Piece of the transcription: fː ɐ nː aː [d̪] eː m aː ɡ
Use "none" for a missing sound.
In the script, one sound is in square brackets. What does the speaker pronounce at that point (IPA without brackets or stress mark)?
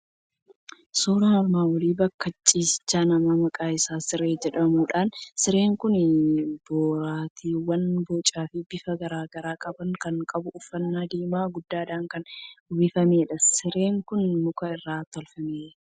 d̪